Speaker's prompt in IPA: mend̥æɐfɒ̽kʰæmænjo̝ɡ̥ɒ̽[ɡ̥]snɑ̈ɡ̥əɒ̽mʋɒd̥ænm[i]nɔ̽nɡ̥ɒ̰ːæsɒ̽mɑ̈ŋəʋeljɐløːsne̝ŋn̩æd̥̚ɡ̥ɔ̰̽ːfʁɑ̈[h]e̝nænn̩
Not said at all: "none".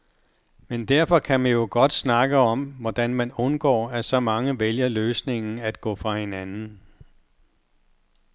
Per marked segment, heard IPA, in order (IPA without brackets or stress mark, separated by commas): d̥, æ, h